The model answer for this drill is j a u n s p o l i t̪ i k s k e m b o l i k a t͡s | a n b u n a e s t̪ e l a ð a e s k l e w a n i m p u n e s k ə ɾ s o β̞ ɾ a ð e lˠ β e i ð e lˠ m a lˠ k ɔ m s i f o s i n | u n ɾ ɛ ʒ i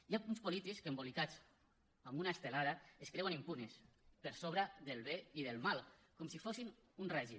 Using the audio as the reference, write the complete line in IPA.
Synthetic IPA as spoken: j a u n s p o l i t̪ i k s k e m b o l i k a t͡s | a m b u n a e s t̪ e l a ð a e s k ɾ e w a n i m p u n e s p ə ɾ s o β̞ ɾ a ð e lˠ β e i ð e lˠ m a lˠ k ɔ m s i f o s i n | u n r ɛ ʒ i